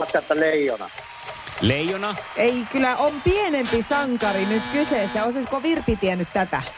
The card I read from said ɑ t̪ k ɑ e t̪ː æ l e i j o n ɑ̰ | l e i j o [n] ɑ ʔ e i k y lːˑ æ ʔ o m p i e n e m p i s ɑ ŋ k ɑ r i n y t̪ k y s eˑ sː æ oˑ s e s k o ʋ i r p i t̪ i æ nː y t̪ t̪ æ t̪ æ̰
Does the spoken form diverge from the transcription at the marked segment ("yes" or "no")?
no